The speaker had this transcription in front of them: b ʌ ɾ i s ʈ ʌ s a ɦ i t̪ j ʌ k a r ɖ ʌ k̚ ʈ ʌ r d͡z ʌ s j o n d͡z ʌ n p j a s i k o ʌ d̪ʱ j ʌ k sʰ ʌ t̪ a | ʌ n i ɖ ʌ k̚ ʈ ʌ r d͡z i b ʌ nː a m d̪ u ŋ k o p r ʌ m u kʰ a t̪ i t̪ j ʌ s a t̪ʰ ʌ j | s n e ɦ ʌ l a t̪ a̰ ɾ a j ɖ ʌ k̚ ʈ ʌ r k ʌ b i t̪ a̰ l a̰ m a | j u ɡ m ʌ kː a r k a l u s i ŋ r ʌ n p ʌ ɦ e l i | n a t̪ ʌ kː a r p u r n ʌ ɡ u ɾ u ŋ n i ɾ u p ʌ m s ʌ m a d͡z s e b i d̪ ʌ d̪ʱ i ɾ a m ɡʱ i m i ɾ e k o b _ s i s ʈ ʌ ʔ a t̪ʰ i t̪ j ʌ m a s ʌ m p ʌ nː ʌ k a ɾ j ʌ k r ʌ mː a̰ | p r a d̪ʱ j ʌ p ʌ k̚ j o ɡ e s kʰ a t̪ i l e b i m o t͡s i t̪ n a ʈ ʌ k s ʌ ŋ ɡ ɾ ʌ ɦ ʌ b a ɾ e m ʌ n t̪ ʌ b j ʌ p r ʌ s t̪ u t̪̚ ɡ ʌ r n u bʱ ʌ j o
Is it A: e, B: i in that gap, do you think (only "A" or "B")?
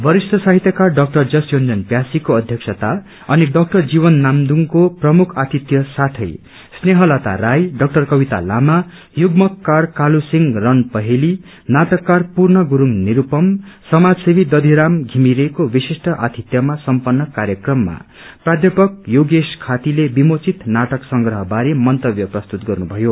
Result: B